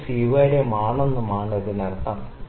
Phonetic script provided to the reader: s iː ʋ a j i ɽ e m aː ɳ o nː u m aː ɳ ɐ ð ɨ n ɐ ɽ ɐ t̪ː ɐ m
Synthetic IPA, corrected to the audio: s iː ʋ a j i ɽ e m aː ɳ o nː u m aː ɳ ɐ ð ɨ n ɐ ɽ ɐ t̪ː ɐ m